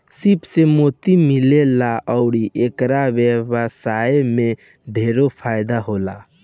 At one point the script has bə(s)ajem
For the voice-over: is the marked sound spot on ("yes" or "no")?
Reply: yes